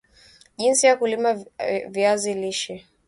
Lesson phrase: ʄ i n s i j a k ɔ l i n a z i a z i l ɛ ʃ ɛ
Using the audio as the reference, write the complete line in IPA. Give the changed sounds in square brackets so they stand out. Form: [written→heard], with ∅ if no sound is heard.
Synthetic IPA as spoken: ʄ i n s i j a k [ɔ→u] l i [n→m] a [z→v] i a z i l [ɛ→i] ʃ ɛ